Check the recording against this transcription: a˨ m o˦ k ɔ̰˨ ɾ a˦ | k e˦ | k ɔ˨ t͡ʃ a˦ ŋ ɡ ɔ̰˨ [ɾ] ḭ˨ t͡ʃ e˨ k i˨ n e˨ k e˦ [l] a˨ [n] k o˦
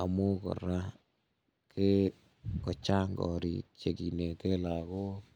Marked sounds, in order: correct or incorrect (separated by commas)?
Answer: correct, correct, incorrect